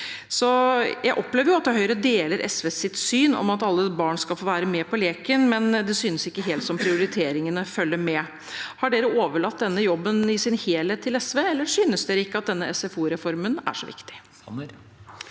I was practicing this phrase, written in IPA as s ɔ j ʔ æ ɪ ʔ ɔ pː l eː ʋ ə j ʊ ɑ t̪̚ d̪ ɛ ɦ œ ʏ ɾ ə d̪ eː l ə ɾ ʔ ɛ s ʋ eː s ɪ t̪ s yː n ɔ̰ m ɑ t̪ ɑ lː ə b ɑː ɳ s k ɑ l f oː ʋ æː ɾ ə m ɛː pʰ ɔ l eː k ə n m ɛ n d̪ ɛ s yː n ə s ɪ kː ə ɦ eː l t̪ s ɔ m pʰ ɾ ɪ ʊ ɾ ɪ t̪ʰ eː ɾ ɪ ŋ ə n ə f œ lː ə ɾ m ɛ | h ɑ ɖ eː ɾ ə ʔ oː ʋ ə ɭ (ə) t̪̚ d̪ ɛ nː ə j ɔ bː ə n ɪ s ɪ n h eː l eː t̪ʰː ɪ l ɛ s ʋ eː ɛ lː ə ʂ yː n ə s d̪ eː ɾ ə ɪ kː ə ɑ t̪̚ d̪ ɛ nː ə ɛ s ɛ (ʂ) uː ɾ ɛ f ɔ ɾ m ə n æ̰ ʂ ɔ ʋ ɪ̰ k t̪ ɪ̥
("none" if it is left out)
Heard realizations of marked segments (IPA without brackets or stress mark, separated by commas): ɑ, f